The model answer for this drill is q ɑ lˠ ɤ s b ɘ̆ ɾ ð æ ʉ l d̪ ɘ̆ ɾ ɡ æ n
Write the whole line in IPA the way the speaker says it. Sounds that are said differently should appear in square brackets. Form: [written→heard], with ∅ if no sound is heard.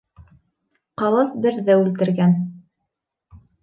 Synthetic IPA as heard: q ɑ lˠ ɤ s b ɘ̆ ɾ ð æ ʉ l [d̪→t̪] ɘ̆ ɾ ɡ æ n